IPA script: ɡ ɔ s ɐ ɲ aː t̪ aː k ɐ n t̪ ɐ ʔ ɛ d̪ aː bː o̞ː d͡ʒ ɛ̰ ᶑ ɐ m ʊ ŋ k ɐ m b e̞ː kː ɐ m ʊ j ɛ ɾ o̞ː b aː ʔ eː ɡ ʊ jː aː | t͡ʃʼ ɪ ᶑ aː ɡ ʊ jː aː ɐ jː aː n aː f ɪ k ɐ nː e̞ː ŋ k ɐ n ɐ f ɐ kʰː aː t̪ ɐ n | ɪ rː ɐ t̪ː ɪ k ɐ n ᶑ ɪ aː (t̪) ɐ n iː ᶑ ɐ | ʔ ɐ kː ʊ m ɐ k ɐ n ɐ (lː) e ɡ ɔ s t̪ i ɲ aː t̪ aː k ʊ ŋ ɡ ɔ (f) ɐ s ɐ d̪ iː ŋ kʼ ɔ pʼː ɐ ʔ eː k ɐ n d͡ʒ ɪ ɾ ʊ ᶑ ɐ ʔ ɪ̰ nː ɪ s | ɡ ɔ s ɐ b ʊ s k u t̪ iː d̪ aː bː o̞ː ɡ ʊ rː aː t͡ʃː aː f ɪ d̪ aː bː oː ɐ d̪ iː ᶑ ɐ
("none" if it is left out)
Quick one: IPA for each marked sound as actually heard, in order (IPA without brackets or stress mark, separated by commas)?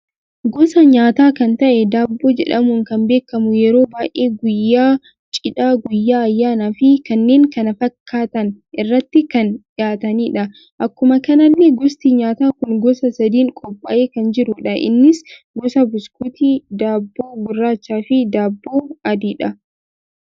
t̪, lː, s